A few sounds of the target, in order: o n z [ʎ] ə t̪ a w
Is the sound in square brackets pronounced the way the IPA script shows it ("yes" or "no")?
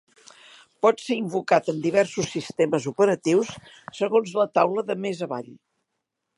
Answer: no